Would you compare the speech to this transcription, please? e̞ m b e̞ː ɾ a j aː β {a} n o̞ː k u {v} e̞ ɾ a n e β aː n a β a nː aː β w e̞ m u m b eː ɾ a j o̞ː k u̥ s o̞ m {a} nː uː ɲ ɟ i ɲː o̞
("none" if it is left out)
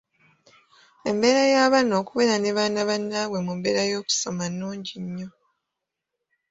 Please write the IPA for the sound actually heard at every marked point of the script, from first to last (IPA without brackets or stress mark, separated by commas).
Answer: a, β, a